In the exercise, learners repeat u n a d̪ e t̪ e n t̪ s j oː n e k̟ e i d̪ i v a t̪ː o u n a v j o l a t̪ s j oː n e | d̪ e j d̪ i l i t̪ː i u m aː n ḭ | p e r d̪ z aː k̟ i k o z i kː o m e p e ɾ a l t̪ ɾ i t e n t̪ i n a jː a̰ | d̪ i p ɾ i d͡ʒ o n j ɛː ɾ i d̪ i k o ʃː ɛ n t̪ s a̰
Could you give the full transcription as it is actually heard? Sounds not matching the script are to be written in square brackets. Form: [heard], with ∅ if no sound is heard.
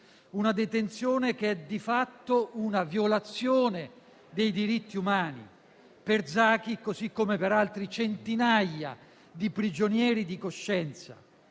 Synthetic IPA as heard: u n a d̪ e t̪ e n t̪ s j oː n e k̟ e [ɛ] d̪ i [f] a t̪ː o u n a v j o l a t̪ s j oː n e | d̪ e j d̪ i [ɾ] i t̪ː i u m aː n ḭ | p e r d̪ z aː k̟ i k o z i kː o m e p e ɾ a l t̪ ɾ i [t͡ʃ] e n t̪ i n a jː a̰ | d̪ i p ɾ i d͡ʒ o n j ɛː ɾ i d̪ i k o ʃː ɛ n t̪ s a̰

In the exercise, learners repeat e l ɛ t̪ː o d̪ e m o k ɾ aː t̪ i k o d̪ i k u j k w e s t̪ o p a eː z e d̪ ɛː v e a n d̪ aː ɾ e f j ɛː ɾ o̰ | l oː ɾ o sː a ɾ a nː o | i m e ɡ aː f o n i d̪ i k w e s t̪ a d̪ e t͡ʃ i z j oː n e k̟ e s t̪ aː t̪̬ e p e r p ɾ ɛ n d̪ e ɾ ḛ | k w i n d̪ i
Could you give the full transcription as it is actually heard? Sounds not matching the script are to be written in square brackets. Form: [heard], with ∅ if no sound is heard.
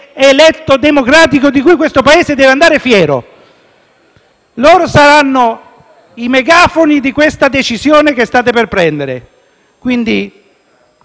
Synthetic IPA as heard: e l ɛ t̪ː o d̪ e m o k ɾ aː t̪ i k o d̪ i k u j k w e s t̪ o p a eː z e d̪ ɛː v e a n d̪ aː ɾ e f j ɛː ɾ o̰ | l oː ɾ o [s] a ɾ a nː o | i m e ɡ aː f o n i d̪ i k w e s t̪ a d̪ e t͡ʃ i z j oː n e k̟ e s t̪ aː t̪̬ e p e r p ɾ ɛ n d̪ e ɾ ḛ | k w i n d̪ i

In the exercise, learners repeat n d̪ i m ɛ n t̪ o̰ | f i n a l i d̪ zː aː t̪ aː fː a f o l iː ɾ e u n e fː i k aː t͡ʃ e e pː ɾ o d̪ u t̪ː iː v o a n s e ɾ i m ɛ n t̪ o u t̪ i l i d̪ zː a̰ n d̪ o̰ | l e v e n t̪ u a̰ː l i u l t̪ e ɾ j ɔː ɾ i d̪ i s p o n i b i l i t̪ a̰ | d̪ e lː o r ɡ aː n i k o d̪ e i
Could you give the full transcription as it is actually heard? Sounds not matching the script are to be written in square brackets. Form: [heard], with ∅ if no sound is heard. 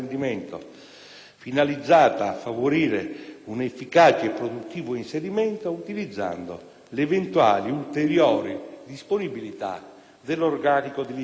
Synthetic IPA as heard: n d̪ i m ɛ n t̪ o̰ | f i n a l i d̪ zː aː t̪ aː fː a [v] o [ɾ] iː ɾ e u n e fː i k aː t͡ʃ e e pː ɾ o d̪ u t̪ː iː v o [i] n s e ɾ i m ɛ n t̪ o u t̪ i l i d̪ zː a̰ n d̪ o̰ | l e v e n t̪ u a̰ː l i u l t̪ e ɾ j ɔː ɾ i d̪ i s p o n i b i l i t̪ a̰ | d̪ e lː o r ɡ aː n i k o d̪ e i

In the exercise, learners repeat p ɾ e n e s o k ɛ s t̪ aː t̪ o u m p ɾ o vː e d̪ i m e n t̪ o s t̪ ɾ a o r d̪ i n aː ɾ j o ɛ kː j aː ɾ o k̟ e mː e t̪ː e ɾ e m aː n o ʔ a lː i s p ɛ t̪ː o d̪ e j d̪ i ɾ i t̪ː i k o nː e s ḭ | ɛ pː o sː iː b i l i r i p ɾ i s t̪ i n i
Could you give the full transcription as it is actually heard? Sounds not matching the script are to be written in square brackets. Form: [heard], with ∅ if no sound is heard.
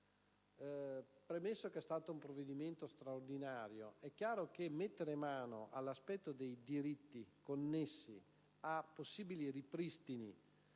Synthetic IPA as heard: p ɾ e [m] e [sː] o k ɛ s t̪ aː t̪ o u m p ɾ o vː e d̪ i m e n t̪ o s t̪ ɾ a o r d̪ i n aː ɾ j o ɛ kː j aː ɾ o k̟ e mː e t̪ː e ɾ e m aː n o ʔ a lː [a] s p ɛ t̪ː o d̪ e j d̪ i ɾ i t̪ː i k o nː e [sː] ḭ | [a] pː o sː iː b i l i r i p ɾ i s t̪ i n i

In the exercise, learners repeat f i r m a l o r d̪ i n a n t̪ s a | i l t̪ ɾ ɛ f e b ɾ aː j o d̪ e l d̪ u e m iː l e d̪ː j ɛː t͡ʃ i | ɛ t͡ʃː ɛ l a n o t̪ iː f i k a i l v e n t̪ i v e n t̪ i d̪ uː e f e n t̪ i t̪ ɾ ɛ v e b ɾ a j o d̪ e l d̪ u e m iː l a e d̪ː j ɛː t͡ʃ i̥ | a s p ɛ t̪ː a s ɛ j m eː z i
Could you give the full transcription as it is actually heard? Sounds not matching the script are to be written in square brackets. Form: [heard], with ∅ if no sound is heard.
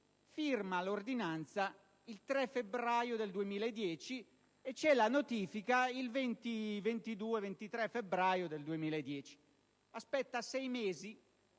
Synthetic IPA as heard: f i r m a l o r d̪ i n a n t̪ s a | i l t̪ ɾ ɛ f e b ɾ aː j o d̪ e l d̪ u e m iː l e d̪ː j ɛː t͡ʃ i | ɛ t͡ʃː ɛ l a n o t̪ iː f i k a i l v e n t̪ i v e n t̪ i d̪ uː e [v] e n t̪ i t̪ ɾ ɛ [f] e b ɾ a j o d̪ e l d̪ u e m iː l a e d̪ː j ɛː t͡ʃ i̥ | a s p ɛ t̪ː a s ɛ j m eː z i

